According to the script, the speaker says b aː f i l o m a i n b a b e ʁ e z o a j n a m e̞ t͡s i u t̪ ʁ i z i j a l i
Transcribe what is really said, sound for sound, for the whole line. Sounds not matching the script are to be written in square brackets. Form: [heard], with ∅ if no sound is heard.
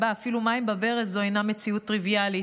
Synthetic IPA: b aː f i l [u] m a i [m] b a b e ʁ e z o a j n a m e̞ t͡s i u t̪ ʁ i [v] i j a l i